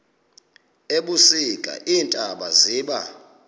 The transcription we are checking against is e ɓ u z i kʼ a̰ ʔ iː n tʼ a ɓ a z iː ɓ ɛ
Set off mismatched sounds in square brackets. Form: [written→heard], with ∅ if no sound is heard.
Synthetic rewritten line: e ɓ u [z→s] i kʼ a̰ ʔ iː n tʼ a ɓ a z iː ɓ [ɛ→a]